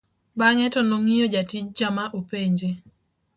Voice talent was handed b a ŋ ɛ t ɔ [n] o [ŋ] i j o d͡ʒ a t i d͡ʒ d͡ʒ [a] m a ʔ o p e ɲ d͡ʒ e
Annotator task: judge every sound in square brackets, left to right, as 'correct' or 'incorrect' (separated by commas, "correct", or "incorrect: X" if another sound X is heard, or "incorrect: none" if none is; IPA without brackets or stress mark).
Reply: correct, correct, correct